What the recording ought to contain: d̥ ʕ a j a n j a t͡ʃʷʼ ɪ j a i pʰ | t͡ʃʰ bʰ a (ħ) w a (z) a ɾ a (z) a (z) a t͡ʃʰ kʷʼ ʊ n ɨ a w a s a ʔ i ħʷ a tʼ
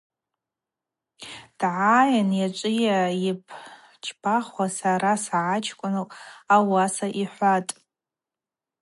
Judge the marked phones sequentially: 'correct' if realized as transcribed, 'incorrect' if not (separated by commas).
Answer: incorrect, incorrect, incorrect, incorrect